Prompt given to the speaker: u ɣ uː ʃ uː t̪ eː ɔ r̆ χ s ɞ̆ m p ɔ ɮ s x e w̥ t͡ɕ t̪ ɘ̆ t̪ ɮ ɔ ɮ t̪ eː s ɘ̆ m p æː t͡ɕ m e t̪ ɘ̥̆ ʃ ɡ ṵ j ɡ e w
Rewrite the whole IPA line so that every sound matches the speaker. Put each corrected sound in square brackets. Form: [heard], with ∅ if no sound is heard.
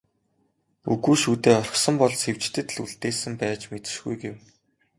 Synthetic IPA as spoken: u ɣ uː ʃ uː t̪ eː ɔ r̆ χ s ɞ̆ m p ɔ ɮ s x e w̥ t͡ɕ t̪ ɘ̆ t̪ ɮ [u] ɮ t̪ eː s ɘ̆ m p æː t͡ɕ m e t̪ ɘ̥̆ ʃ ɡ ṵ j ɡ e w